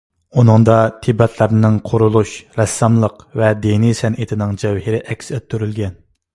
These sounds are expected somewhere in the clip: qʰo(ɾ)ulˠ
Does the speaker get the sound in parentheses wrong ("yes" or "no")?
no